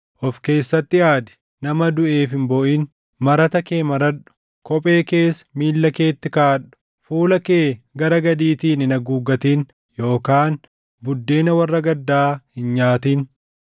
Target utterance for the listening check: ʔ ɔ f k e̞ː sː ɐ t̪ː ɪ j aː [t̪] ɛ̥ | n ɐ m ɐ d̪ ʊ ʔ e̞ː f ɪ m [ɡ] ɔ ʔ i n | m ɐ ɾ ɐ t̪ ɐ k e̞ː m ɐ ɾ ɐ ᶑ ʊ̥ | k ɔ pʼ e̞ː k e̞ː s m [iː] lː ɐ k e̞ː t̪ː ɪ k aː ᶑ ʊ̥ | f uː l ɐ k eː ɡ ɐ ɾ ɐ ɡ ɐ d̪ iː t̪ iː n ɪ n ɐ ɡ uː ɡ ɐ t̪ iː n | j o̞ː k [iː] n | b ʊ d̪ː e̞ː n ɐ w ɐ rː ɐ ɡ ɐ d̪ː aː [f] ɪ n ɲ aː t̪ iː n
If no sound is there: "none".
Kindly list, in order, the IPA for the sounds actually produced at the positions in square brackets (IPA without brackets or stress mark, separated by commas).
d̪, b, iː, aː, h